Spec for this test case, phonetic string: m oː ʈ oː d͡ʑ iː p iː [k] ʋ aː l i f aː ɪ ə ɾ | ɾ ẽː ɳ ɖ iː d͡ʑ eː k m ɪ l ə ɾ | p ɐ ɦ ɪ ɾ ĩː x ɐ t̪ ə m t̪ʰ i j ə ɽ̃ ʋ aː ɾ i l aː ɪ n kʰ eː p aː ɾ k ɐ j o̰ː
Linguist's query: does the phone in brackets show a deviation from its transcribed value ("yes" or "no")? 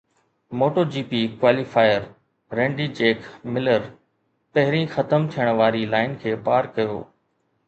no